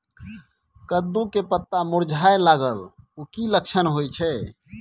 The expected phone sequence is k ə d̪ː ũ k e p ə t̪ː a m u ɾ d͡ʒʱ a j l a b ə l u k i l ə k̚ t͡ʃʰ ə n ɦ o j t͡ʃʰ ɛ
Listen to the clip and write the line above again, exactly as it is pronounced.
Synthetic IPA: k ə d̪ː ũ k e p ə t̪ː a m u ɾ d͡ʒʱ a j l a ɡ ə l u k i l ə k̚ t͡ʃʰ ə n ɦ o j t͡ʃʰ ɛ